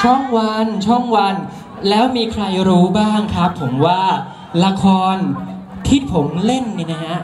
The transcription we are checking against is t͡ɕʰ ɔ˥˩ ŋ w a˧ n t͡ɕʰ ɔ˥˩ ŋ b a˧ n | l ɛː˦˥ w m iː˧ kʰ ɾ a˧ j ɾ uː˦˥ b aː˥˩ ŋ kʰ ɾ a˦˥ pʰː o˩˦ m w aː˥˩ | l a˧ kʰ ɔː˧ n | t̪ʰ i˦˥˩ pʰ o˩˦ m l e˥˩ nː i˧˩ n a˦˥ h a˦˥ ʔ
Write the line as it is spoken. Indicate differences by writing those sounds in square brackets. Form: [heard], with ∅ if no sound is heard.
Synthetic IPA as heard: t͡ɕʰ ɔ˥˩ ŋ w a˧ n t͡ɕʰ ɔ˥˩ ŋ [w] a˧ n | l ɛː˦˥ w m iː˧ kʰ ɾ a˧ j ɾ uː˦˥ b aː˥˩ ŋ kʰ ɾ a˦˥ pʰː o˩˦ m w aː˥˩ | l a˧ kʰ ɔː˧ n | t̪ʰ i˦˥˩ pʰ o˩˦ m l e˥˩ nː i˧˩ n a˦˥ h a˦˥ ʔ